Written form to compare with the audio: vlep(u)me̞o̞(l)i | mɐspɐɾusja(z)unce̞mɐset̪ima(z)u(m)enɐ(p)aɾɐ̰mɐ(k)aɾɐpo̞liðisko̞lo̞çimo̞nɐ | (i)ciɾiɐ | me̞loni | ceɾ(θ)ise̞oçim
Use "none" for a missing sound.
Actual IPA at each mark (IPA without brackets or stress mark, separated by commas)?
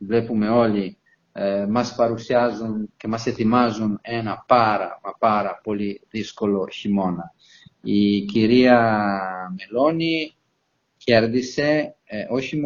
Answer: u, l, z, z, n, p, p, i, ð